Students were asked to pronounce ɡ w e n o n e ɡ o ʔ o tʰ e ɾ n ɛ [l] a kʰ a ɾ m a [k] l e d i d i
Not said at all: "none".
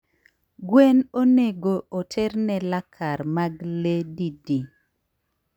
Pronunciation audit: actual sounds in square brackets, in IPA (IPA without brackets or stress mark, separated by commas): l, ɡ